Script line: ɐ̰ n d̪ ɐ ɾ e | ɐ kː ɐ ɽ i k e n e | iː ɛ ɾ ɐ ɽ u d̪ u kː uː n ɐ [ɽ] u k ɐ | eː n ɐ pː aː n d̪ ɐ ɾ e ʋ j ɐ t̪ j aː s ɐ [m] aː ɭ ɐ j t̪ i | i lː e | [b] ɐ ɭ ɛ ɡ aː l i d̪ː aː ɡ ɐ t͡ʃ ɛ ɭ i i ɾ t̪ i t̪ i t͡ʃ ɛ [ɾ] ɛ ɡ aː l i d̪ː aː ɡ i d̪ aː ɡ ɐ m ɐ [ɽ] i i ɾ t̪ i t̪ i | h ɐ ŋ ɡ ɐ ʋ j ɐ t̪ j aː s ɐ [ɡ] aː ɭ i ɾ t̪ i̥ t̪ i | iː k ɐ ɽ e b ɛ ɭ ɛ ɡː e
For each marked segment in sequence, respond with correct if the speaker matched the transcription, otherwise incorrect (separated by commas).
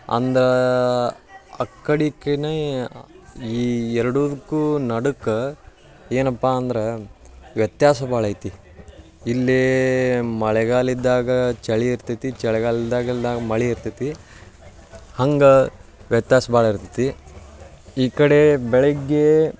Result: correct, incorrect, incorrect, incorrect, incorrect, incorrect